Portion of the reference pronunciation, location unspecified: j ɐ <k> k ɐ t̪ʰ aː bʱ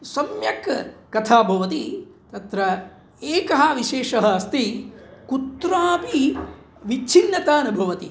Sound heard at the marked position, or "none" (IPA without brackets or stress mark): k